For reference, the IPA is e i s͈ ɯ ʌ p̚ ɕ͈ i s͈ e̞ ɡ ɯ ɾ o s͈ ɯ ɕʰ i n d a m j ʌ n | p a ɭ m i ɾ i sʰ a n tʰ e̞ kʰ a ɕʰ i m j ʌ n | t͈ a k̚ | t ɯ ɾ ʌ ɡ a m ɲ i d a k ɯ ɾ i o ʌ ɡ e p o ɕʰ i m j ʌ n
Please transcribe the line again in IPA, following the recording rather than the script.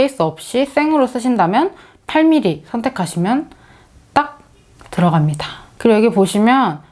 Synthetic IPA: e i s͈ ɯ ʌ p̚ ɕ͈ i s͈ e̞ ŋ ɯ ɾ o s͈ ɯ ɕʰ i n d a m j ʌ n | pʰ a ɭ m i ɾ i sʰ ʌ n tʰ e̞ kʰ a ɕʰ i m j ʌ n | t͈ a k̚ | t ɯ ɾ ʌ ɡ a m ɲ i d a k ɯ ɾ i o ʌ ɡ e p o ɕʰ i m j ʌ n